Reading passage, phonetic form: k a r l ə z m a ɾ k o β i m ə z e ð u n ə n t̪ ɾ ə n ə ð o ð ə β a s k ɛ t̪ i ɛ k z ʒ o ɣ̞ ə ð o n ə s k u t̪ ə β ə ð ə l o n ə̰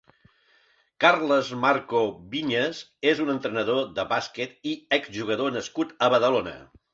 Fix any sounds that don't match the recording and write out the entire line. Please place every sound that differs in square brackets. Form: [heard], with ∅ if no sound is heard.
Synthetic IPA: k a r l ə z m a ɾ k o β i [ɲ] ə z e [z] u n ə n t̪ ɾ ə n ə ð o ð ə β a s k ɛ t̪ i ɛ k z ʒ [u] ɣ̞ ə ð o n ə s k u t̪ ə β ə ð ə l o n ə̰